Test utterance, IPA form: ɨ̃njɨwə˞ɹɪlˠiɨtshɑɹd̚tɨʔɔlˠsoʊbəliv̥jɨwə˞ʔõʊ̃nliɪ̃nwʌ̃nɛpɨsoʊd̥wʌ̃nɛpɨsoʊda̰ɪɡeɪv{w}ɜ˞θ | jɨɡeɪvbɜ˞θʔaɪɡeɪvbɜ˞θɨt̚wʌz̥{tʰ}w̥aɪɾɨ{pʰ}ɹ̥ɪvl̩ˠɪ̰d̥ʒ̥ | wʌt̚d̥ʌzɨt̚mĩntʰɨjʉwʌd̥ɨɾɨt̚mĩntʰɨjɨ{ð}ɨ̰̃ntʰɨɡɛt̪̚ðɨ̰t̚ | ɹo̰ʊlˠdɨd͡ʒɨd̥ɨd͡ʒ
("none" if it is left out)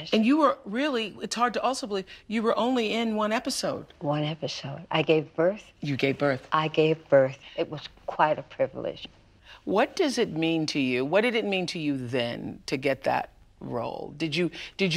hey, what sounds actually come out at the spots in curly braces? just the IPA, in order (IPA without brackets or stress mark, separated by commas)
b, kʰ, pʰ, ð